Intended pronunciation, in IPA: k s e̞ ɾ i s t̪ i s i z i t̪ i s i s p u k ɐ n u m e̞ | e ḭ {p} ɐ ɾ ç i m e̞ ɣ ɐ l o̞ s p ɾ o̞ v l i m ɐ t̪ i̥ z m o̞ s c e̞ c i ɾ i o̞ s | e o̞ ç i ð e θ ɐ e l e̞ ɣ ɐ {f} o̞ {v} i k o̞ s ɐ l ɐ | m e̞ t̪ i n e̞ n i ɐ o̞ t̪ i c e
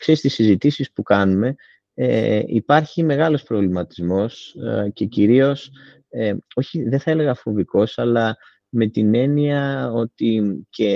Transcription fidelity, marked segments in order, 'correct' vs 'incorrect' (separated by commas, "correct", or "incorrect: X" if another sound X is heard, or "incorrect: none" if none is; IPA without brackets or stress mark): correct, correct, correct